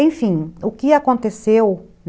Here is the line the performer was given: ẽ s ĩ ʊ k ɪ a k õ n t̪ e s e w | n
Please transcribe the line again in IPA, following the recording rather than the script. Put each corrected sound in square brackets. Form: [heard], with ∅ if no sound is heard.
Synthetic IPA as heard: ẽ [f] ĩ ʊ k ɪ a k õ n t̪ e s e w | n